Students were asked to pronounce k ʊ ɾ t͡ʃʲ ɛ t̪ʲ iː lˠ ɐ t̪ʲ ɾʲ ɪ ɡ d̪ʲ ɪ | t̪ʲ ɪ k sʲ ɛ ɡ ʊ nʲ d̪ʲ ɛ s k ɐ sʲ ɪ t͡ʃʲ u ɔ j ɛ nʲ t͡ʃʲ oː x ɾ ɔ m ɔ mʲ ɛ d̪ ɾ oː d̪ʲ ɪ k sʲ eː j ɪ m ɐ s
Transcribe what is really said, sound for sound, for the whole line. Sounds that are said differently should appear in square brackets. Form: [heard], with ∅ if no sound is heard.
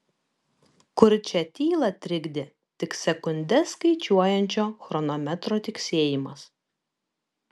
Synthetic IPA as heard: k ʊ ɾ t͡ʃʲ ɛ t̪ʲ iː lˠ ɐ t̪ʲ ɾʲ ɪ ɡ d̪ʲ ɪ | t̪ʲ ɪ k sʲ ɛ [k] ʊ nʲ d̪ʲ ɛ s k ɐ [∅] ɪ t͡ʃʲ u ɔ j ɛ nʲ t͡ʃʲ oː x ɾ ɔ [n] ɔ mʲ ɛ [t̪] ɾ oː [t̪ʲ] ɪ k sʲ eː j ɪ m ɐ s